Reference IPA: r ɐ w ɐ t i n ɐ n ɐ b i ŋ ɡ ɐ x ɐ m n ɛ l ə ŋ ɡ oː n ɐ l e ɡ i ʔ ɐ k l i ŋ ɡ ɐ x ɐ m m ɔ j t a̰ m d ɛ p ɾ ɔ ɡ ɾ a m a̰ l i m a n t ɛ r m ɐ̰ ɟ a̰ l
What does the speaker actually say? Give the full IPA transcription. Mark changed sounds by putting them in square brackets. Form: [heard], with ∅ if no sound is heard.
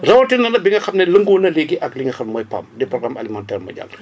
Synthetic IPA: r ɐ w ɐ t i n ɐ n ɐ b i ŋ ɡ ɐ x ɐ m n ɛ l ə ŋ ɡ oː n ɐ l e ɡ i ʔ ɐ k l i ŋ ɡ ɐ x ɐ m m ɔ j [p] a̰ m d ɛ p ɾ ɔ ɡ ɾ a m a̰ l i m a n t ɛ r m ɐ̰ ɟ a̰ l